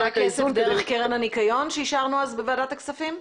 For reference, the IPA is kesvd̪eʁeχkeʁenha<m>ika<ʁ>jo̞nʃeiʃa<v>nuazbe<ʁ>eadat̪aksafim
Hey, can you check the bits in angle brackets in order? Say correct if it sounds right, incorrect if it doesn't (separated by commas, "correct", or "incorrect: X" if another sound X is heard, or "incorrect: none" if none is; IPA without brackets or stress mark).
incorrect: n, incorrect: none, incorrect: ʁ, incorrect: v